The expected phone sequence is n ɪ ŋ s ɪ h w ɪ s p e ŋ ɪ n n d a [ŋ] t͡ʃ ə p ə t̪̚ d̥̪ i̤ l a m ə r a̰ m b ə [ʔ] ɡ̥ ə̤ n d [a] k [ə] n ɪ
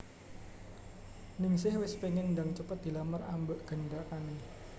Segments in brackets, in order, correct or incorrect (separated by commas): correct, correct, correct, incorrect